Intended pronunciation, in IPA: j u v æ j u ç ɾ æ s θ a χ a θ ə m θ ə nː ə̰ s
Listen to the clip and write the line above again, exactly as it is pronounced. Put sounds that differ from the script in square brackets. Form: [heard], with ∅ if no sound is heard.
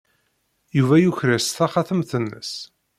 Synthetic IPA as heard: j u v æ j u ç ɾ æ s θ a χ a θ ə m θ ə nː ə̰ s